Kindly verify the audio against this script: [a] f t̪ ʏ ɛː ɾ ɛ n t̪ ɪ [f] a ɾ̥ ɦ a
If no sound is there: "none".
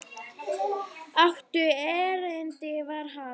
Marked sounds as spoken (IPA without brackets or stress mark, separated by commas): a, v